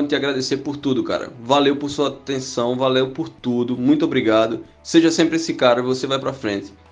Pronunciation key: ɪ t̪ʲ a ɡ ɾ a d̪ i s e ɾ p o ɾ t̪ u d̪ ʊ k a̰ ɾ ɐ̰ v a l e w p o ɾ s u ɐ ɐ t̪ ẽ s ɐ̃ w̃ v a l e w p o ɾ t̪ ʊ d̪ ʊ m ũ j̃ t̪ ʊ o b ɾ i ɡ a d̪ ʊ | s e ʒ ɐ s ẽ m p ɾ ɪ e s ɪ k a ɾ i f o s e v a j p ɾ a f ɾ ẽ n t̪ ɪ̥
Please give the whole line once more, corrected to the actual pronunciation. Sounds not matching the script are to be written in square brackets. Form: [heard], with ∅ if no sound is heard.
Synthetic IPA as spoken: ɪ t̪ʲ a ɡ ɾ a d̪ [e] s e ɾ p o ɾ t̪ u d̪ ʊ k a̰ ɾ ɐ̰ v a l e w p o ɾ s u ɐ [a] t̪ ẽ s ɐ̃ w̃ v a l e w p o ɾ t̪ [u] d̪ ʊ m ũ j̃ t̪ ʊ o b ɾ i ɡ a d̪ ʊ | s e ʒ ɐ s ẽ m p ɾ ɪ e s ɪ k a ɾ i [v] o s e v a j p ɾ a f ɾ ẽ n t̪ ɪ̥